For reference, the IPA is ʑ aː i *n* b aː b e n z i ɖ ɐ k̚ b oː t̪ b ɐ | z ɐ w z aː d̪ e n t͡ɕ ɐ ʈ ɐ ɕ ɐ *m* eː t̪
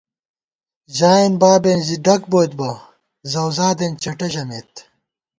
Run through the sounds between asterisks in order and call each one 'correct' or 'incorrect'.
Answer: correct, correct

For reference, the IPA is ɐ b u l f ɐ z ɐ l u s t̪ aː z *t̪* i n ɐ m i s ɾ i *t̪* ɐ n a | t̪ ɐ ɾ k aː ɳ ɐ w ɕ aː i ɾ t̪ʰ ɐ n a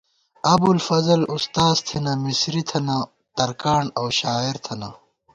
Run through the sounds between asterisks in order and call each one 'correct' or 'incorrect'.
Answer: incorrect, incorrect

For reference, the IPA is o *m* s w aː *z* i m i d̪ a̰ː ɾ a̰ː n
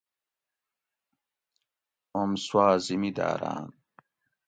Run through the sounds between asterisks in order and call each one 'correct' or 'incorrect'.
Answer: correct, correct

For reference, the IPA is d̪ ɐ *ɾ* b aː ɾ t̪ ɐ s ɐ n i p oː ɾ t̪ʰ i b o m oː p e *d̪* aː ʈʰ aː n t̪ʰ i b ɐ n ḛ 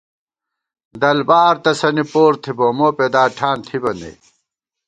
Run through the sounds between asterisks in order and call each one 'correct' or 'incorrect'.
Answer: incorrect, correct

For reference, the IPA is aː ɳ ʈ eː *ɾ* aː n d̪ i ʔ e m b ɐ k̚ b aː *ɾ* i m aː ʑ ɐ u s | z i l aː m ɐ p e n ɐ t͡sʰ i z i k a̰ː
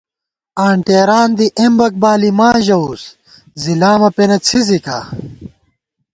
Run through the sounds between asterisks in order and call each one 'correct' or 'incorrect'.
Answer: correct, incorrect

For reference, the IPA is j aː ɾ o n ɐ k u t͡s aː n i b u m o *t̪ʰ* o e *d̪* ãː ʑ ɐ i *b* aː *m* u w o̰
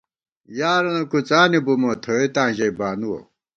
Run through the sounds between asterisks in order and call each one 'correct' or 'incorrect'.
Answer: correct, incorrect, correct, incorrect

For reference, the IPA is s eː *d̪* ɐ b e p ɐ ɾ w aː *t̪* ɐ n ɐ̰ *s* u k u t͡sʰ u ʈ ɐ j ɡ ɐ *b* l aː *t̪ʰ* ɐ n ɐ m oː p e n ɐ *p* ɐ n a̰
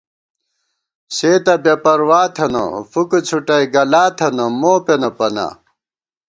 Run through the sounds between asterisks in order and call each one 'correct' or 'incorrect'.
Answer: incorrect, incorrect, incorrect, incorrect, correct, correct

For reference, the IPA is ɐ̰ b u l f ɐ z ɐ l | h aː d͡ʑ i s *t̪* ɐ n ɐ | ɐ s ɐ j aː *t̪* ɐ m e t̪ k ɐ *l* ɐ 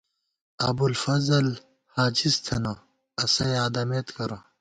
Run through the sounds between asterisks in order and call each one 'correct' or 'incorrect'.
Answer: incorrect, incorrect, incorrect

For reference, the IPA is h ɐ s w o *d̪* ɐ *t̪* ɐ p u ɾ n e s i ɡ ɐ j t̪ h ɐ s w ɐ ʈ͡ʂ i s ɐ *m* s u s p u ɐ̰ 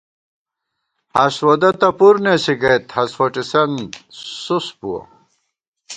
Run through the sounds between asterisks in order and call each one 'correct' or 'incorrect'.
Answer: correct, correct, incorrect

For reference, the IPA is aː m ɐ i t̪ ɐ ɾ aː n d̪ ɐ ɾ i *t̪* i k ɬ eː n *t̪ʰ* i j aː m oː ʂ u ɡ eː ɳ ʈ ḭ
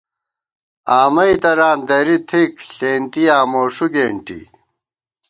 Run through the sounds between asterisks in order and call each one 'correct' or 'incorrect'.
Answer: incorrect, incorrect

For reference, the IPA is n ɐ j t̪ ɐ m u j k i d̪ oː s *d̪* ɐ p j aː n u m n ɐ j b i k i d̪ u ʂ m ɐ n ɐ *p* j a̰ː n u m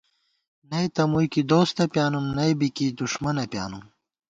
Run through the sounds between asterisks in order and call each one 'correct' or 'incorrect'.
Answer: incorrect, correct

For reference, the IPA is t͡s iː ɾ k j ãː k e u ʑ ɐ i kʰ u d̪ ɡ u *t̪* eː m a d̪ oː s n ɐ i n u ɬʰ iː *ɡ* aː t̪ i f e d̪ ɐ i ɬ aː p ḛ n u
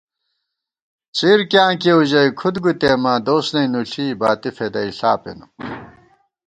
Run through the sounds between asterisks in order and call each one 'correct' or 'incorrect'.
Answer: correct, incorrect

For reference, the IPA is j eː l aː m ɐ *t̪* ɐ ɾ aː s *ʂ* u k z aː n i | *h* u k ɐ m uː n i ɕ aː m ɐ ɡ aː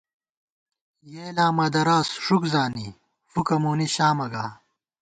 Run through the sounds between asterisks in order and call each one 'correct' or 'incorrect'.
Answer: incorrect, correct, incorrect

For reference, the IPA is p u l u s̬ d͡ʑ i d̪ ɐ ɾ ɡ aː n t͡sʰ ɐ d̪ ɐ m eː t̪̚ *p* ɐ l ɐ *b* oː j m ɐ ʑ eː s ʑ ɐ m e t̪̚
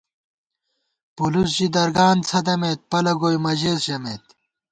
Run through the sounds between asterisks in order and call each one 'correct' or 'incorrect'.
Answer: correct, incorrect

